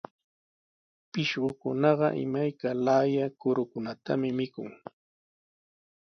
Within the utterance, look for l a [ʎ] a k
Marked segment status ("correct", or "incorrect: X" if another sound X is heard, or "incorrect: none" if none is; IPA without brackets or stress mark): incorrect: j